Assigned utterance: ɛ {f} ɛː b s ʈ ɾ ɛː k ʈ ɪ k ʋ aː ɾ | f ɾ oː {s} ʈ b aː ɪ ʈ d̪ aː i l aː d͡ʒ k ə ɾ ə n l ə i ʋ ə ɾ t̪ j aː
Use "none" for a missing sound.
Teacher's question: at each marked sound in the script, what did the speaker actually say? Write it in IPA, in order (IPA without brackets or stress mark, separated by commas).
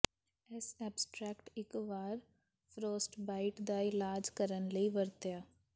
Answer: s, s